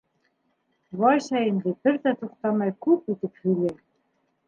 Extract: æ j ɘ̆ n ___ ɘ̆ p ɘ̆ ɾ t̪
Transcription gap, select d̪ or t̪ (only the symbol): d̪